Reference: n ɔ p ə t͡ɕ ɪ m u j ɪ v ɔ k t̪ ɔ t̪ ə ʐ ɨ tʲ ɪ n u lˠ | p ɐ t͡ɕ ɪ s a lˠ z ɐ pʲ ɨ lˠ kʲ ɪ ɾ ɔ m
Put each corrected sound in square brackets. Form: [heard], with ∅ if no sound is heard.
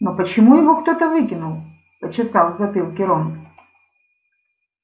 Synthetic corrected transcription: n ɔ p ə t͡ɕ ɪ m u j ɪ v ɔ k t̪ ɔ t̪ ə [v] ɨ [kʲ] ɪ n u lˠ | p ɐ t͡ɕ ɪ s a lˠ z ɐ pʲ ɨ lˠ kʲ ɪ ɾ ɔ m